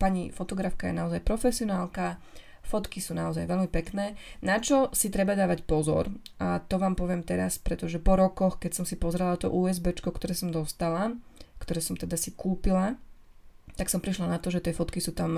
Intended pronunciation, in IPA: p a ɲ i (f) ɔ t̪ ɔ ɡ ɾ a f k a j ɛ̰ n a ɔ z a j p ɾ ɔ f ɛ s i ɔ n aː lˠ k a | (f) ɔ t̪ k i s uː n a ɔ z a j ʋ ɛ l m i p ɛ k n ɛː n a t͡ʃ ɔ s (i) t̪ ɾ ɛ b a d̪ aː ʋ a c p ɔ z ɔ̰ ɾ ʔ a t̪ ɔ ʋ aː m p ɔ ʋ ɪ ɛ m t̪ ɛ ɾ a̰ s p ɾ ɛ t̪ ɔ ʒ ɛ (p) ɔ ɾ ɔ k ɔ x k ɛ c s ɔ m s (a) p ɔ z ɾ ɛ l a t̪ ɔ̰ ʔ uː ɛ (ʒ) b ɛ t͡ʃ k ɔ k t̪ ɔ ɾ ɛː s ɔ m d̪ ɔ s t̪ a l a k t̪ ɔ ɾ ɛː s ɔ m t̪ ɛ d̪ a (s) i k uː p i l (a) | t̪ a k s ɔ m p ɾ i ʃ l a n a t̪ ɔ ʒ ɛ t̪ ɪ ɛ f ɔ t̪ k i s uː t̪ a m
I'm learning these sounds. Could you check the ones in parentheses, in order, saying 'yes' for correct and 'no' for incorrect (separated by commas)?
yes, yes, yes, yes, no, no, yes, yes